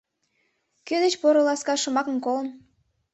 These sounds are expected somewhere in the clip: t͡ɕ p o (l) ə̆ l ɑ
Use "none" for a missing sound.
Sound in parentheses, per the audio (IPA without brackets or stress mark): ɾ